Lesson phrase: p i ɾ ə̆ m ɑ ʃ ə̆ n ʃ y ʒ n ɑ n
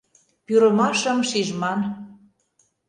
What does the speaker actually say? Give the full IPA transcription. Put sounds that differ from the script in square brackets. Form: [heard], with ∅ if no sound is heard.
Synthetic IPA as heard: p [y] ɾ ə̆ m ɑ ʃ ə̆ [m] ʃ [i] ʒ [m] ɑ n

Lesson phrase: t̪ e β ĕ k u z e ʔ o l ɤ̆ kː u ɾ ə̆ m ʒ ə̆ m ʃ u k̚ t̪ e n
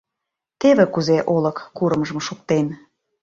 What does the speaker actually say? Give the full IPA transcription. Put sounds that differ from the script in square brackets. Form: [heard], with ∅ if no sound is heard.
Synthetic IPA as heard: t̪ e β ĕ k u z e ʔ o l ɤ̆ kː u ɾ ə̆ m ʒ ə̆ m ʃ u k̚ t̪ e n

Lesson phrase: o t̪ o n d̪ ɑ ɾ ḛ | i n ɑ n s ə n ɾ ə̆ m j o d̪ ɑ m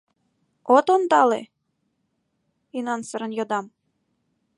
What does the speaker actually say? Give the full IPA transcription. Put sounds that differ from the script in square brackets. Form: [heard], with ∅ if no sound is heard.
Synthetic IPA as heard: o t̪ o n d̪ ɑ [l] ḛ | i n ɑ n s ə [∅] ɾ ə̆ [n] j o d̪ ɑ m

